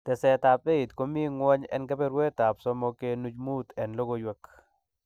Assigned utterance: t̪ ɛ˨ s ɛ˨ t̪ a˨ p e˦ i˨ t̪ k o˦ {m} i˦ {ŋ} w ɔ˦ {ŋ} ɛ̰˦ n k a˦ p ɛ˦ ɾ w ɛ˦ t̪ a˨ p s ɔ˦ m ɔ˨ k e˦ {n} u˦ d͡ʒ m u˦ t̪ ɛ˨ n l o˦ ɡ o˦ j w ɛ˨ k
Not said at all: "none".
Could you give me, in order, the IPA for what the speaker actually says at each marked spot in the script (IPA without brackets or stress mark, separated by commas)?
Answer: m, ŋ, ɲ, n